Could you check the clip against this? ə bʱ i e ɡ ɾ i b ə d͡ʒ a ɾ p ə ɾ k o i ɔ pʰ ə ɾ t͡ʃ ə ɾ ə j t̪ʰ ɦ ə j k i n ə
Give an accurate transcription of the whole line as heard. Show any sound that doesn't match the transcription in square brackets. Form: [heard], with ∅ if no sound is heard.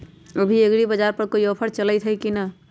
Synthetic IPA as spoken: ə bʱ i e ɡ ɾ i b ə d͡ʒ a ɾ p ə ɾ k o i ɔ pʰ ə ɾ t͡ʃ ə [l] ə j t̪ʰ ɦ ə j k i n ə